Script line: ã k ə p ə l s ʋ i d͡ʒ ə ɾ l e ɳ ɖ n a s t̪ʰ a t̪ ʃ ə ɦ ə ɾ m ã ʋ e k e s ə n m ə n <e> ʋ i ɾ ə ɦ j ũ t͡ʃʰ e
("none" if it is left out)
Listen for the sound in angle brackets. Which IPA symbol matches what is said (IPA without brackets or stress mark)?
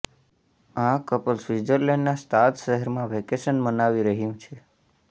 a